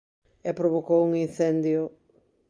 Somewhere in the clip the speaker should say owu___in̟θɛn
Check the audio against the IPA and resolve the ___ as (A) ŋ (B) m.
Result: A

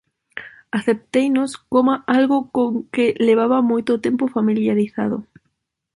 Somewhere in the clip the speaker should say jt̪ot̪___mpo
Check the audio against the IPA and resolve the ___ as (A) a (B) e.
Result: B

